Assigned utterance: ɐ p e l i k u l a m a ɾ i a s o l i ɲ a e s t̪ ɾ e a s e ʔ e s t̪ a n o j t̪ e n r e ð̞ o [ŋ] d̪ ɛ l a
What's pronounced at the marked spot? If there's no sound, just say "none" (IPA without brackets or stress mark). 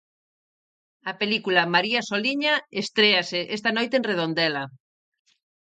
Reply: n